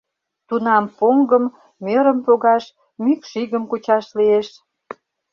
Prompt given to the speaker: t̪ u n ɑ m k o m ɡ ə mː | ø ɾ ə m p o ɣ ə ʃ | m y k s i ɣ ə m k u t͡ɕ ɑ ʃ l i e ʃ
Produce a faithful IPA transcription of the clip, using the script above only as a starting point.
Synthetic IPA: t̪ u n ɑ m p o ŋ ɡ ə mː | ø ɾ ə m p o ɣ ɑ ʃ | m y k ʃ i ɣ ə m k u t͡ɕ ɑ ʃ l i e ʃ